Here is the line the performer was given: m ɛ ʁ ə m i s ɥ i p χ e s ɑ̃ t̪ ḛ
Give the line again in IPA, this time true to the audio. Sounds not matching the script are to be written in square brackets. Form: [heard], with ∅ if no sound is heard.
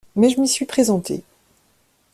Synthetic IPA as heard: m ɛ [ʒ] ə m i s ɥ i p χ e [z] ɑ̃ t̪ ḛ